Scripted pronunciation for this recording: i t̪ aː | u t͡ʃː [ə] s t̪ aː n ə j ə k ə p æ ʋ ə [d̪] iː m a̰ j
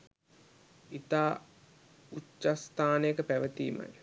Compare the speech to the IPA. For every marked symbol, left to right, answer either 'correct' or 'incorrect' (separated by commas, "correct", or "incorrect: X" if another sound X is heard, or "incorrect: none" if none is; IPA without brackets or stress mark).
incorrect: a, incorrect: t̪